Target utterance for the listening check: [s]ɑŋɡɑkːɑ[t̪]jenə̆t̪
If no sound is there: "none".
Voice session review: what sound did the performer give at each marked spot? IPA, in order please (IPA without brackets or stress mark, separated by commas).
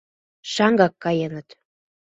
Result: ʃ, none